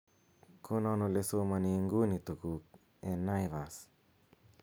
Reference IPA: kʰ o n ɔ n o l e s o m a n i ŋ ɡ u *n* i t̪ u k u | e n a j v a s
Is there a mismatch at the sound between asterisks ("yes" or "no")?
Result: no